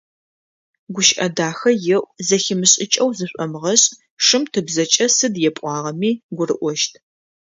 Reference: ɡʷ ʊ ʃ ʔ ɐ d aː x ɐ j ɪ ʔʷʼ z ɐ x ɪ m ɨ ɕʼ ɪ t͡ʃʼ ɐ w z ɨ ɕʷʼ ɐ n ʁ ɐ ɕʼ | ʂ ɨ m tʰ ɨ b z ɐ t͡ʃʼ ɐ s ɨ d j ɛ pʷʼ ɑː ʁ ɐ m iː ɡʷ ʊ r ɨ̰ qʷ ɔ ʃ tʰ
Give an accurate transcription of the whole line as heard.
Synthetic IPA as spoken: ɡʷ ʊ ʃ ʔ ɐ d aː x ɐ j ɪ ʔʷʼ z ɐ x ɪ m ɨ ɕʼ ɪ t͡ʃʼ ɐ w z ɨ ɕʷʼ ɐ m ʁ ɐ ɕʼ | ʂ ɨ m tʰ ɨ b z ɐ t͡ʃʼ ɐ s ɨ d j ɛ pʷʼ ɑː ʁ ɐ m iː ɡʷ ʊ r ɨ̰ ʔʷ ɔ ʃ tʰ